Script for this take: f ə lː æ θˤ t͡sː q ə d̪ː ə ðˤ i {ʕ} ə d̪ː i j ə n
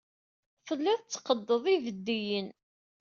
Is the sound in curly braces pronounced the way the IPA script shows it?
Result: no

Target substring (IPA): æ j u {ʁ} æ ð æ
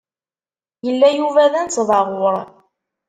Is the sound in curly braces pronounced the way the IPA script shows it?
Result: no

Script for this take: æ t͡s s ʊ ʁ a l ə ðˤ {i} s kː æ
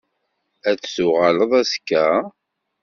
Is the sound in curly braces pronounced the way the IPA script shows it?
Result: no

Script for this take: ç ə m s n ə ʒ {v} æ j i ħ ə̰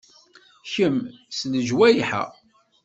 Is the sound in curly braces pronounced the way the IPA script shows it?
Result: no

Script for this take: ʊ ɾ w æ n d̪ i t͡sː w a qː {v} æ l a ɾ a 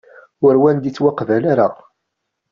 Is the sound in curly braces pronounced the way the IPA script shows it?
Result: yes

